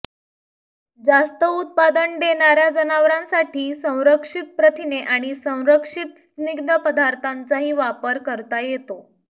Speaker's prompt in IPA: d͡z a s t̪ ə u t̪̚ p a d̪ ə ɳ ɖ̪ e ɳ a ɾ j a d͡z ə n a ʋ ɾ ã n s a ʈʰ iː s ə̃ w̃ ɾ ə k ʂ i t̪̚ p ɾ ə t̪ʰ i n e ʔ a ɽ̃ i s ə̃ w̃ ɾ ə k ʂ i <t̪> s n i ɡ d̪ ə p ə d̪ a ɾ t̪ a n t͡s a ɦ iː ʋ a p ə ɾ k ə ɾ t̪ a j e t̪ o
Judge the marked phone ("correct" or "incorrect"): correct